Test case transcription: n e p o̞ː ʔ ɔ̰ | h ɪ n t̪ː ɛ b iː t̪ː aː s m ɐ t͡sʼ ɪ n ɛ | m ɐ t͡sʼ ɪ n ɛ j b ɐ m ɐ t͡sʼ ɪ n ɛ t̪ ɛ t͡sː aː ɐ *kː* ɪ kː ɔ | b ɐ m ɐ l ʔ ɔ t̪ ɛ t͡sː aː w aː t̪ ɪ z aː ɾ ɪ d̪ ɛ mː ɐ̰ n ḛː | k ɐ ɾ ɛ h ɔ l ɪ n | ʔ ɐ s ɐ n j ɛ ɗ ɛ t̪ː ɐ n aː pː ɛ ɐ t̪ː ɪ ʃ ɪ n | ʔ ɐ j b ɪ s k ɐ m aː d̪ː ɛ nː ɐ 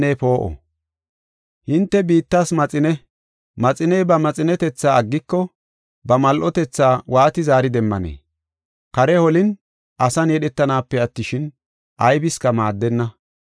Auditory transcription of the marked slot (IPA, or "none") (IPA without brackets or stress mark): ɡː